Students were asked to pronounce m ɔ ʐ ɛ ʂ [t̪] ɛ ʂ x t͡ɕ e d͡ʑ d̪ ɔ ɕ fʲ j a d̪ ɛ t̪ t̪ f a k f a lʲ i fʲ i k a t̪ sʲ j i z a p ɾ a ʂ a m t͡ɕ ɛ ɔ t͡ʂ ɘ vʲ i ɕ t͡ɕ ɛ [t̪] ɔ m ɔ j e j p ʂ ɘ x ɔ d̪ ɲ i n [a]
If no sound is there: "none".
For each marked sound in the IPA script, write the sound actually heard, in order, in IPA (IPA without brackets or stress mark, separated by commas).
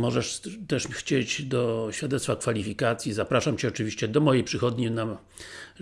t̪, d̪, a